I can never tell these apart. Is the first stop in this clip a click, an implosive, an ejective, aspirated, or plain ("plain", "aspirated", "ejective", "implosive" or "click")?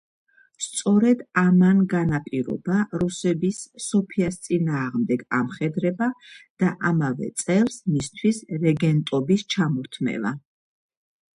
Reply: plain